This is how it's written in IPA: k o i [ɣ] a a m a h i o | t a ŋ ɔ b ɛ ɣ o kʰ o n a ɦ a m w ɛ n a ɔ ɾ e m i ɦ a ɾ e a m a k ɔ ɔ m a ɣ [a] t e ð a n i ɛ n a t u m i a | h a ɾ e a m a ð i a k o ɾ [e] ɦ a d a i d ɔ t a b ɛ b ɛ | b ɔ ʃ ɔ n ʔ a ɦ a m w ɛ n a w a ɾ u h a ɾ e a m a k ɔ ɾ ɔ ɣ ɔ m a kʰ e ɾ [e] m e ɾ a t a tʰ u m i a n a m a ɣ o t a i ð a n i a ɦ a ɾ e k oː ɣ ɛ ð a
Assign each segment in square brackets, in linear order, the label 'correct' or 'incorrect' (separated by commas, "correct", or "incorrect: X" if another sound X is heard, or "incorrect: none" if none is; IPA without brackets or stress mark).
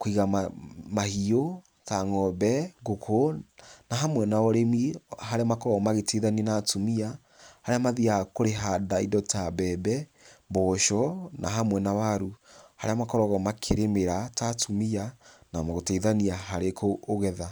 correct, incorrect: e, correct, correct